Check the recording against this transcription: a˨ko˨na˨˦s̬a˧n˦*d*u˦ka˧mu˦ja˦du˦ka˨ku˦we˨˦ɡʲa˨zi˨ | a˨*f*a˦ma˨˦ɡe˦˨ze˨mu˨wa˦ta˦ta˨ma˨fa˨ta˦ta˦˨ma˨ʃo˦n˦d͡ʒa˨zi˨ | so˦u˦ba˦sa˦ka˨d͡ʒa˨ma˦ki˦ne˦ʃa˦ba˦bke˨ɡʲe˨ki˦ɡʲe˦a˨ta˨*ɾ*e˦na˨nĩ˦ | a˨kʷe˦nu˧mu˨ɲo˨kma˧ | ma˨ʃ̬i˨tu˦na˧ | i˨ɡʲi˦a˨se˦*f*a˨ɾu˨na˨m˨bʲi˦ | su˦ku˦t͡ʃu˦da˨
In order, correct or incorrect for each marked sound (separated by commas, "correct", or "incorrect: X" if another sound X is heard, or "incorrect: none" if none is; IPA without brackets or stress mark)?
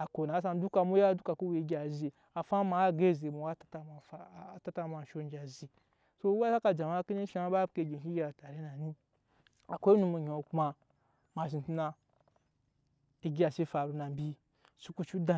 correct, correct, correct, correct